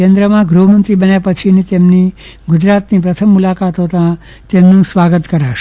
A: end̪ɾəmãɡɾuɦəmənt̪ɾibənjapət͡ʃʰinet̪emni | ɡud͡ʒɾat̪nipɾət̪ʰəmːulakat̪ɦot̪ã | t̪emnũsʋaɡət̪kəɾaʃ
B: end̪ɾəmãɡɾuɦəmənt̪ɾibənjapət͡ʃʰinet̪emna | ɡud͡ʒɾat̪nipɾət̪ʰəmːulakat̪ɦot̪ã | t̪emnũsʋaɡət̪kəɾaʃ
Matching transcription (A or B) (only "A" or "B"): A